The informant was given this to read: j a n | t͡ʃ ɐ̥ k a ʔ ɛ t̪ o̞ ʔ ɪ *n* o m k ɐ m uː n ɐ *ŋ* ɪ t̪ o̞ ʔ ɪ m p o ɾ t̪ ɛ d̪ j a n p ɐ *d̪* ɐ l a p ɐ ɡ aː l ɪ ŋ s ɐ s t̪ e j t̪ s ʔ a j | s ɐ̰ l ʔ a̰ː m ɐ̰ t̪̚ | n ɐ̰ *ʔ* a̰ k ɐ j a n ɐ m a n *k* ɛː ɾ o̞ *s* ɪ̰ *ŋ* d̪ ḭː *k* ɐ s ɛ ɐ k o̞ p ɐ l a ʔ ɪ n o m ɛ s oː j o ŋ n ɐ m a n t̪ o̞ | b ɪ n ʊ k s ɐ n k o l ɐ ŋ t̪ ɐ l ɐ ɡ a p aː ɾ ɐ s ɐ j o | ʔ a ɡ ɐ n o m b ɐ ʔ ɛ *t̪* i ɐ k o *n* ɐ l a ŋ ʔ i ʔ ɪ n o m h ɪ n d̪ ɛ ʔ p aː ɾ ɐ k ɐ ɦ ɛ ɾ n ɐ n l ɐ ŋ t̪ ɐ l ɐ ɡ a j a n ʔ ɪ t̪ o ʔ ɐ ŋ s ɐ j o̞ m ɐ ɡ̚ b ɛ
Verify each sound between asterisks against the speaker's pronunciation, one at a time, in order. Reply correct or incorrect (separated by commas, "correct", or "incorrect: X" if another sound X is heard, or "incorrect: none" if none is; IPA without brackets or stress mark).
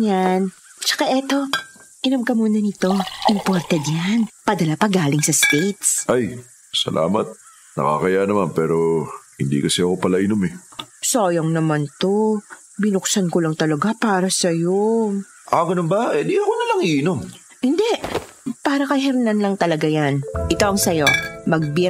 correct, incorrect: n, correct, incorrect: k, incorrect: p, incorrect: h, incorrect: n, correct, incorrect: d̪, correct